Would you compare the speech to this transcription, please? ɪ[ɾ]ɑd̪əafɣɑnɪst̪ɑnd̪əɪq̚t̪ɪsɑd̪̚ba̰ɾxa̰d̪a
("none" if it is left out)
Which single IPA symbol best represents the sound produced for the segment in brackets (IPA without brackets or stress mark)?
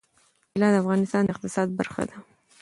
l